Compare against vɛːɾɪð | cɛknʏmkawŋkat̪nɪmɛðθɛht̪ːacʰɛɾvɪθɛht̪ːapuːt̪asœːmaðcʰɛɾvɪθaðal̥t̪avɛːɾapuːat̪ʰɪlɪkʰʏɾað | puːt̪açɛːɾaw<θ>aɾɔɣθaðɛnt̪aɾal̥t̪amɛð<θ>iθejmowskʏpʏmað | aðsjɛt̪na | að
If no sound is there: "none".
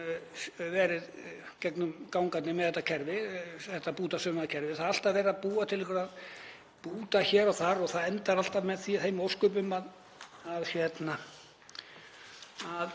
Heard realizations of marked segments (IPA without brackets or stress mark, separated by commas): θ, θ